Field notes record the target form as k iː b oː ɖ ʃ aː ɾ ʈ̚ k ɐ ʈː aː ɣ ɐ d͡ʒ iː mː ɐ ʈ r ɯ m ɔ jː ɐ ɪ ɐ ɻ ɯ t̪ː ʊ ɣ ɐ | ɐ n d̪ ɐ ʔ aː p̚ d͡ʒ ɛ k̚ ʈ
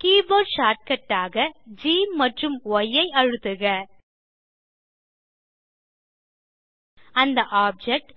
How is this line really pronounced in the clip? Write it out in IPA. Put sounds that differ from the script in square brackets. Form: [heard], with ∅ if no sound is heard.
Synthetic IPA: k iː b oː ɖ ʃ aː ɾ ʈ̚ k ɐ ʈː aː ɣ ɐ d͡ʒ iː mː ɐ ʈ r ɯ m ɔ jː ɐ ɪ ɐ ɻ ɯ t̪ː [ɯ] ɣ ɐ | ɐ n d̪ ɐ ʔ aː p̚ d͡ʒ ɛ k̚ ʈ